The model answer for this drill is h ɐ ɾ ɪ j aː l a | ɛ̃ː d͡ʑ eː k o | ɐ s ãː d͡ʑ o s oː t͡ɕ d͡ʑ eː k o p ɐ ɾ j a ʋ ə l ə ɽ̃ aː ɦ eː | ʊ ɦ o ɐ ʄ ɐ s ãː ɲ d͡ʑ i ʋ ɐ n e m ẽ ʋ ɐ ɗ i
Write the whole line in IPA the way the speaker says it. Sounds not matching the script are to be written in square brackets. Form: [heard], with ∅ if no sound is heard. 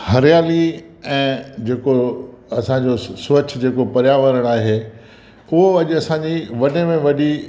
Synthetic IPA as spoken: h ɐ ɾ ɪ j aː l [i] | ɛ̃ː d͡ʑ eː k o | ɐ s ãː d͡ʑ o s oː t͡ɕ d͡ʑ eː k o p ɐ ɾ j a ʋ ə [ɾ] ə ɽ̃ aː ɦ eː | ʊ ɦ o ɐ ʄ ɐ s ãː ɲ d͡ʑ i ʋ ɐ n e m ẽ ʋ ɐ ɗ i

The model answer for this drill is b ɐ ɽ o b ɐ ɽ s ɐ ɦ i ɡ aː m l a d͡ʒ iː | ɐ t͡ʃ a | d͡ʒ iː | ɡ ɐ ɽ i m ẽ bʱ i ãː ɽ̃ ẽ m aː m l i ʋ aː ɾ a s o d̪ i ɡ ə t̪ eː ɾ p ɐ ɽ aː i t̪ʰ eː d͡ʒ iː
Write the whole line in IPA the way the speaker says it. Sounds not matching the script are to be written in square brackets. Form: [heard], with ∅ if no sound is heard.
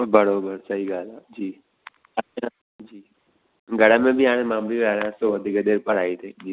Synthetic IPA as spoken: b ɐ ɽ o b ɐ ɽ s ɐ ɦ i ɡ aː [∅] l a d͡ʒ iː | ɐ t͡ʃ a | d͡ʒ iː | ɡ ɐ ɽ [a] m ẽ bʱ i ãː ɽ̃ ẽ m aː m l i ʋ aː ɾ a s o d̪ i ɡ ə [d̪] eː ɾ p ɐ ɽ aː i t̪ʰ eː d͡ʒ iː

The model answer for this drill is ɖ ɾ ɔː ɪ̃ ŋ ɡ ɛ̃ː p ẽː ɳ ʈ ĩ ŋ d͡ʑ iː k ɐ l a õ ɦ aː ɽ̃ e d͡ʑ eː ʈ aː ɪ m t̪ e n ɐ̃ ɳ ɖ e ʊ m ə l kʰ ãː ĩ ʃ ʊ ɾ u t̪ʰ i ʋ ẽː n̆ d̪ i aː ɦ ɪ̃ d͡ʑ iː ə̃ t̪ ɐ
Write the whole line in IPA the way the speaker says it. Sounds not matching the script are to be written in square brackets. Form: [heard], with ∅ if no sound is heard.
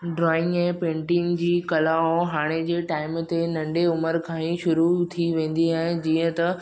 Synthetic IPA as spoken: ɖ ɾ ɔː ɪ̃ ŋ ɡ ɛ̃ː p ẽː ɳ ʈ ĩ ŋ d͡ʑ iː k ɐ l a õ ɦ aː ɽ̃ e d͡ʑ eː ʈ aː ɪ m t̪ e n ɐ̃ ɳ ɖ e ʊ m ə [ɾ] kʰ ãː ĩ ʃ ʊ ɾ u t̪ʰ i ʋ ẽː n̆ d̪ i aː ɦ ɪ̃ d͡ʑ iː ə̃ t̪ ɐ

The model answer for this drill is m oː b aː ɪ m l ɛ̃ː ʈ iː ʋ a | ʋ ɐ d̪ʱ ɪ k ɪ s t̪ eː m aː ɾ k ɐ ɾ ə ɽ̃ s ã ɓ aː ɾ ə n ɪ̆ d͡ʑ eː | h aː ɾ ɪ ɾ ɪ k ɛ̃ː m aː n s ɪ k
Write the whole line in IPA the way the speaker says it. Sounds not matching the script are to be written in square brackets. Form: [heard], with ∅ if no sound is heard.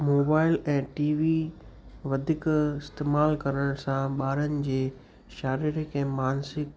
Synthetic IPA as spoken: m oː b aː ɪ [∅] l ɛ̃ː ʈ iː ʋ [i] | ʋ ɐ d̪ʱ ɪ k ɪ s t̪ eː m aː [l] k ɐ ɾ ə ɽ̃ s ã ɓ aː ɾ ə n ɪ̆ d͡ʑ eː | [ʃ] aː ɾ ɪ ɾ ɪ k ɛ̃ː m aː n s ɪ k

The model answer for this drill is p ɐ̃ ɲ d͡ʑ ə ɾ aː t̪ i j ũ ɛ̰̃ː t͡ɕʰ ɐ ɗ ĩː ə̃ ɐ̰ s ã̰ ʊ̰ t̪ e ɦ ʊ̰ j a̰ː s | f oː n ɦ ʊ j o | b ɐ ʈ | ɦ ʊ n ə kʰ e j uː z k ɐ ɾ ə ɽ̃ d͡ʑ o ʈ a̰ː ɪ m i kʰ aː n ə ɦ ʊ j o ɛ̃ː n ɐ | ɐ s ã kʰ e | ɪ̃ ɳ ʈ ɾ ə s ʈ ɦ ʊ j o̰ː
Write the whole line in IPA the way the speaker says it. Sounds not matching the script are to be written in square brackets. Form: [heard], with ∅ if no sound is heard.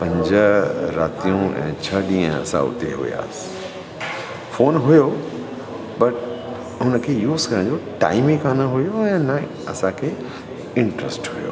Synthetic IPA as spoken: p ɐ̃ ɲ d͡ʑ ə ɾ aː t̪ i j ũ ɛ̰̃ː t͡ɕʰ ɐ ɗ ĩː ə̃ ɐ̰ s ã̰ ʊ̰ t̪ e ɦ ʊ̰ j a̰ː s | f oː n ɦ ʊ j o | b ɐ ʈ | ɦ ʊ n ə kʰ e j uː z k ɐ ɾ ə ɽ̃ d͡ʑ o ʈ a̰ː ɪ m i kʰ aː n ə ɦ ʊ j o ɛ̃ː n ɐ | ɐ s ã kʰ e | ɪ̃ ɳ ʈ ɾ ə s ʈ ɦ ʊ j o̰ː

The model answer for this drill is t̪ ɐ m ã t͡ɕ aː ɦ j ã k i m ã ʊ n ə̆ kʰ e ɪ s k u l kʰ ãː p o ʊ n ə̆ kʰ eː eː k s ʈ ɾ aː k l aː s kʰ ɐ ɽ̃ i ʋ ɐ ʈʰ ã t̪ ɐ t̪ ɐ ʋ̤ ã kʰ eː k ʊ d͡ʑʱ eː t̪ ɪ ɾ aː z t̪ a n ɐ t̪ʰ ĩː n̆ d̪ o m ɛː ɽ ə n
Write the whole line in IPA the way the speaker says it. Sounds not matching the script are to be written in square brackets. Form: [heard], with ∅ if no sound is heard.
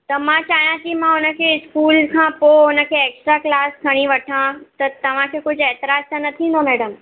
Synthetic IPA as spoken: t̪ ɐ m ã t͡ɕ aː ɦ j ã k i m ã ʊ n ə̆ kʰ e ɪ s k [uː] l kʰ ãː p o ʊ n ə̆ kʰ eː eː k s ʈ ɾ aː k l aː s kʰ ɐ ɽ̃ i ʋ ɐ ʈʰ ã t̪ ɐ t̪ ɐ ʋ̤ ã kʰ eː k ʊ d͡ʑʱ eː t̪ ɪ ɾ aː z t̪ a n ɐ t̪ʰ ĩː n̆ d̪ o m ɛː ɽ ə [m]

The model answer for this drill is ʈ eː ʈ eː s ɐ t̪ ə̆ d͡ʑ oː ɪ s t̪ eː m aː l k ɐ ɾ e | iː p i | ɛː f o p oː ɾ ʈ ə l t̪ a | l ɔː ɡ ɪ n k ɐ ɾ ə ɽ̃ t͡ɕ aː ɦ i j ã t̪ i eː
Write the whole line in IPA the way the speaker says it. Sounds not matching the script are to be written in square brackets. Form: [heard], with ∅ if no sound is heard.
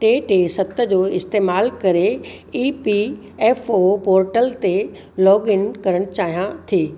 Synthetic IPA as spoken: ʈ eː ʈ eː s ɐ t̪ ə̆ d͡ʑ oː ɪ s t̪ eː m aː l k ɐ ɾ e | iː p i | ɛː f o p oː ɾ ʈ ə l t̪ [e] | l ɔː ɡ ɪ n k ɐ ɾ ə ɽ̃ t͡ɕ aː ɦ i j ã [t̪ʰ] i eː

